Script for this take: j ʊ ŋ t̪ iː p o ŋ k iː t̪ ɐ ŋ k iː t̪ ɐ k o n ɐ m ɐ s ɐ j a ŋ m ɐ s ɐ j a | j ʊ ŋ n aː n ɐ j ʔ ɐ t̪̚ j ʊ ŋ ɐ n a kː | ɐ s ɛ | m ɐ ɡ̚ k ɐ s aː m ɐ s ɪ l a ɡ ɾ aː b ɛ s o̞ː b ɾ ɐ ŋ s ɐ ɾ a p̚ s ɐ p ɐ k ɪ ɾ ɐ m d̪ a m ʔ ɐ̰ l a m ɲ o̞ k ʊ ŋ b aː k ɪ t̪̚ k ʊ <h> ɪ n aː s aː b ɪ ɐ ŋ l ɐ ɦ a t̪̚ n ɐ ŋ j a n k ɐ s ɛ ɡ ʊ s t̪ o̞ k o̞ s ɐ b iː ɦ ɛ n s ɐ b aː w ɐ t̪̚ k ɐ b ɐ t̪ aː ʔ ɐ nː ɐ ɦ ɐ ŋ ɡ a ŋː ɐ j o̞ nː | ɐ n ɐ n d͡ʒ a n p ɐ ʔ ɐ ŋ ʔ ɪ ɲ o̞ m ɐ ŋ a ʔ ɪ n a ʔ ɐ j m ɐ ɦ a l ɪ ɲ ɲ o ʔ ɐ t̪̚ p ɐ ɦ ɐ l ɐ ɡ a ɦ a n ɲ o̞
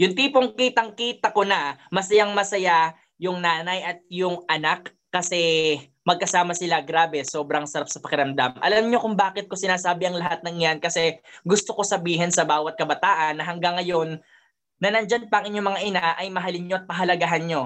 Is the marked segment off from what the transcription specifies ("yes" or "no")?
yes